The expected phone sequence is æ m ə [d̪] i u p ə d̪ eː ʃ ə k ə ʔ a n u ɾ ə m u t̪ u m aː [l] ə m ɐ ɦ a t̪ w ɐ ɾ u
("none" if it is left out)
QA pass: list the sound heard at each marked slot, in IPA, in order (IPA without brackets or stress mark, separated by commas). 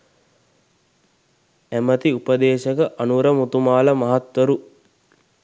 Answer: t̪, l